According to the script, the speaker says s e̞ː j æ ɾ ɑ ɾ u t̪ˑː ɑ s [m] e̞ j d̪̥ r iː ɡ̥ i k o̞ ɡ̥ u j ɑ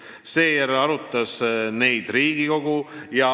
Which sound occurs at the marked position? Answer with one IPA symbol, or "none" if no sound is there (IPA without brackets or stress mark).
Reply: n